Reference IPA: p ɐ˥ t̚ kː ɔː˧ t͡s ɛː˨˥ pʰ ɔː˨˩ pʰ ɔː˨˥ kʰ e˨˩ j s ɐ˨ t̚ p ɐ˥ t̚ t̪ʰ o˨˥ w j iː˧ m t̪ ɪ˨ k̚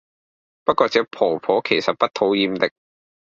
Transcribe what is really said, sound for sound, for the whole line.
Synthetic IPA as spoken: p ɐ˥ t̚ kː ɔː˧ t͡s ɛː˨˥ pʰ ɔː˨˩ pʰ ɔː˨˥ kʰ e˨˩ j s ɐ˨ t̚ p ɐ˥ t̚ t̪ʰ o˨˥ w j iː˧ m t̪ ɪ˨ k̚